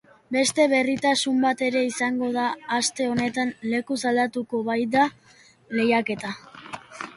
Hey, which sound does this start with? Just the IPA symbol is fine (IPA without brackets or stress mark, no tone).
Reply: b